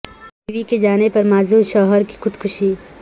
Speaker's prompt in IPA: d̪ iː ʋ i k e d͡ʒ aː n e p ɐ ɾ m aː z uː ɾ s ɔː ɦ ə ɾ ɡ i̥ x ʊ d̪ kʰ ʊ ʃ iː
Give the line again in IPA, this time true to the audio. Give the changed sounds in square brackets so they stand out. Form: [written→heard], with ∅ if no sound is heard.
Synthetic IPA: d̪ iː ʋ i k e d͡ʒ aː n e p ɐ ɾ m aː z uː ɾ [s→ʃ] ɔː ɦ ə ɾ [ɡ→k] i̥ x ʊ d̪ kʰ ʊ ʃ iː